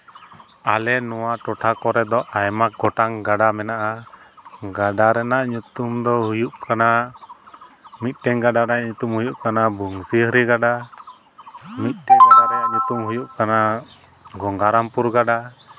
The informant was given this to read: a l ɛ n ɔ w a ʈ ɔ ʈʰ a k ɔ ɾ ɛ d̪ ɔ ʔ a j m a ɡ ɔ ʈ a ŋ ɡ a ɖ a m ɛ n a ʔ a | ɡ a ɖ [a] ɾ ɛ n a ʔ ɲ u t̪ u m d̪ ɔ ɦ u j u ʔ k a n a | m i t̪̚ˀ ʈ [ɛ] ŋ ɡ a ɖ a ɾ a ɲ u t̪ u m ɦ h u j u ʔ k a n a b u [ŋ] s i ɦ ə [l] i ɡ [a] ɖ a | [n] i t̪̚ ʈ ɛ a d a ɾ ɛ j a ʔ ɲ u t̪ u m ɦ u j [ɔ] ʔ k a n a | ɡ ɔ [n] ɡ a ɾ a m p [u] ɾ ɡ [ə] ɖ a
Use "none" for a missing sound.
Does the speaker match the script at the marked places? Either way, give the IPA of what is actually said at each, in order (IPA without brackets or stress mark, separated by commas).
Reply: a, ɛ, ŋ, ɾ, a, m, u, ŋ, u, a